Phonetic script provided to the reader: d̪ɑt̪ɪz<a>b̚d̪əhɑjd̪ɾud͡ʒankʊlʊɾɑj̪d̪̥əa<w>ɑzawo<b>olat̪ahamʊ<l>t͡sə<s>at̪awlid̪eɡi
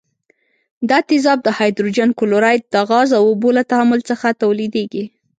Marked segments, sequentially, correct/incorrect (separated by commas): incorrect, incorrect, correct, correct, incorrect